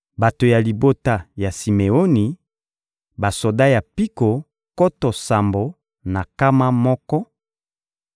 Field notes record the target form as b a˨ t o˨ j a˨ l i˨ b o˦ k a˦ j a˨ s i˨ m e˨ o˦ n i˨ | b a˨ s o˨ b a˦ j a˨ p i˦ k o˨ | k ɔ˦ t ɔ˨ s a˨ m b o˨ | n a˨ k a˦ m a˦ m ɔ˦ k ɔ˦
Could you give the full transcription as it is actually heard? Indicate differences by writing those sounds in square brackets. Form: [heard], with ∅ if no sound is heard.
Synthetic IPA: b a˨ t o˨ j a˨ l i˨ b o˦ [t] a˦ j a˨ s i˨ m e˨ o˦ n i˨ | b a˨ s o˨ [d] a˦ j a˨ p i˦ k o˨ | k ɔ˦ t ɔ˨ s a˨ m b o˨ | n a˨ k a˦ m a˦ m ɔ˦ k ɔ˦